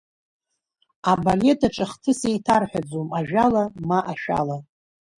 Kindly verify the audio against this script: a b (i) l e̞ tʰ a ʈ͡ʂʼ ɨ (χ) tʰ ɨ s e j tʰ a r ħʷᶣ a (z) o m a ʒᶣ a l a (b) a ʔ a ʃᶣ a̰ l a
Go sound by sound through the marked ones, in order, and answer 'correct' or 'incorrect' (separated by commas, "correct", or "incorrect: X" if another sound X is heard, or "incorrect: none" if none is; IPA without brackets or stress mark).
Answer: incorrect: a, correct, incorrect: d͡z, incorrect: m